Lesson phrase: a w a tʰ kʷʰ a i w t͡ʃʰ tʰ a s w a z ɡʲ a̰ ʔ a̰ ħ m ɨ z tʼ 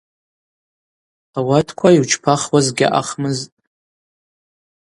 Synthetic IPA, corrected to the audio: a w a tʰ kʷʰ a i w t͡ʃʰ pʰ a χ w a z ɡʲ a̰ ʔ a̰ χ m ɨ z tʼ